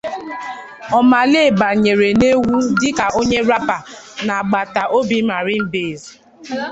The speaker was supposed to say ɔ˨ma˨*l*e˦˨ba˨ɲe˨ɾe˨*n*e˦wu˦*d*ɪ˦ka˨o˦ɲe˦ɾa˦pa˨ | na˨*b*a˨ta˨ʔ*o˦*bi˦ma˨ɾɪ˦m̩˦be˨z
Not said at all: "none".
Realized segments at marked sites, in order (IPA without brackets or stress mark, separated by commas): l, n, d, ɡ͡b, o˦